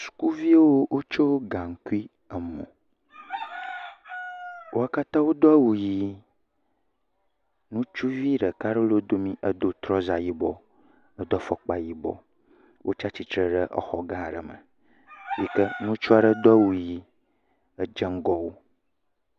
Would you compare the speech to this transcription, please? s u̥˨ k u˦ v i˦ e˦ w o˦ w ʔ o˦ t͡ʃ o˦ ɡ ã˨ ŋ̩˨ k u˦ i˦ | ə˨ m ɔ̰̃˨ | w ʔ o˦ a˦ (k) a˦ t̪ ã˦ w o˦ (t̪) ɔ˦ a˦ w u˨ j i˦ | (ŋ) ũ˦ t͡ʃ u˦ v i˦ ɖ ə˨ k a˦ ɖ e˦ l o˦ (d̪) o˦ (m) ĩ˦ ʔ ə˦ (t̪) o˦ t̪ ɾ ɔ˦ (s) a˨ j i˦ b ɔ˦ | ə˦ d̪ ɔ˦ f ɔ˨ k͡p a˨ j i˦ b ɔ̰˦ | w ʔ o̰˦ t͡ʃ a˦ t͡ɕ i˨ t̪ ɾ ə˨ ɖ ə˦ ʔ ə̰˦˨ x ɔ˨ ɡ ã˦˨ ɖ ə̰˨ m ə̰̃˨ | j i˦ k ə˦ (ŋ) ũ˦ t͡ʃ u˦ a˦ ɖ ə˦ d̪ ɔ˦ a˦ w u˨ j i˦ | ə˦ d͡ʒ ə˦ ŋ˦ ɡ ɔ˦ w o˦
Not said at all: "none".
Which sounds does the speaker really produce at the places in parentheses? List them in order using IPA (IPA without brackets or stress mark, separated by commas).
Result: k, d̪, n, d̪, m, d̪, z, n